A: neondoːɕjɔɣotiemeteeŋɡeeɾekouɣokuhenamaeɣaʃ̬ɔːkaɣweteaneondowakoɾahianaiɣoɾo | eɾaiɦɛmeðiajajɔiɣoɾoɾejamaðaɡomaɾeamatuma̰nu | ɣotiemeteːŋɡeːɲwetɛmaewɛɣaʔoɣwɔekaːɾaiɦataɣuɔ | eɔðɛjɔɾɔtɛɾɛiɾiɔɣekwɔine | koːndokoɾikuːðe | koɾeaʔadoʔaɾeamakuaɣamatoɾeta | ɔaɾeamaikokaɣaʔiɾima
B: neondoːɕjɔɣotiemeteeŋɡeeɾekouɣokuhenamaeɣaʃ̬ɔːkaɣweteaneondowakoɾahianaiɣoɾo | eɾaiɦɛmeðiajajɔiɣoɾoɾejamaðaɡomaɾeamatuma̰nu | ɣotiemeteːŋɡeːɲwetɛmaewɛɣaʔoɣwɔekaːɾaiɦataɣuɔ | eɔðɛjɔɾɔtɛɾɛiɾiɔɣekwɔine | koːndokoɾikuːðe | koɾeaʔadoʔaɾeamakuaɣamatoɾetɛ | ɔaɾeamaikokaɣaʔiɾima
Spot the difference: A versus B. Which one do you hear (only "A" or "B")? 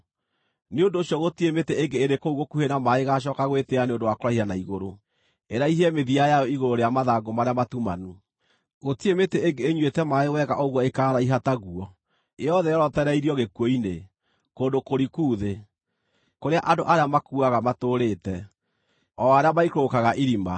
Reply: B